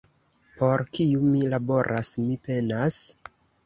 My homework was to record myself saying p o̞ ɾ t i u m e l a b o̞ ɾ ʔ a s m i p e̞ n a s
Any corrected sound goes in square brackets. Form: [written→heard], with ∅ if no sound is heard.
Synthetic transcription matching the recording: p o̞ ɾ [t→k] i u m [e→i] l a b o̞ ɾ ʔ a s m i p e̞ n a s